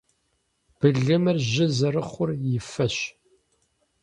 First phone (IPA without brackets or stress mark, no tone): b̥